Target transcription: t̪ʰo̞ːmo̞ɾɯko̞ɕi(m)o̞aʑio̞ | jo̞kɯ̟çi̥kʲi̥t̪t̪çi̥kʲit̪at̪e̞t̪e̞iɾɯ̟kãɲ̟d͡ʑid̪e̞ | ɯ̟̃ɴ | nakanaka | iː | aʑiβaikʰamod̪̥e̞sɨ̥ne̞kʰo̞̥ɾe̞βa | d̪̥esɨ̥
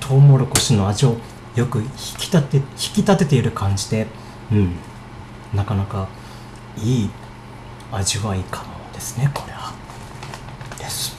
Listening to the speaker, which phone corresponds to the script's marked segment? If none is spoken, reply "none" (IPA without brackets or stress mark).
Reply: n